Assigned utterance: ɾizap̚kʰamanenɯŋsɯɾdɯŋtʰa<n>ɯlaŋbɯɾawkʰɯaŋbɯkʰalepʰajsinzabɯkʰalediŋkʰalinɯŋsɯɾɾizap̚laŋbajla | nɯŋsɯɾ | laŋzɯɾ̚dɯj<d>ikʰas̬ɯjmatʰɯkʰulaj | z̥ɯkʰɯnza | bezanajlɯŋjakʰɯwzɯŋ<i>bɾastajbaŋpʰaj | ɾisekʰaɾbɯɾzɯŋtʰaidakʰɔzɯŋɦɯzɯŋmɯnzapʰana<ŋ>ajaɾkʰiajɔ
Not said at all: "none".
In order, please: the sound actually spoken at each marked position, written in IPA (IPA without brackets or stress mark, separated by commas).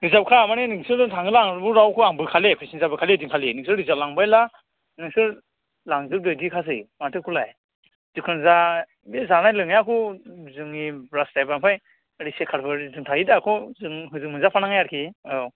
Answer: ŋ, d, i, ŋ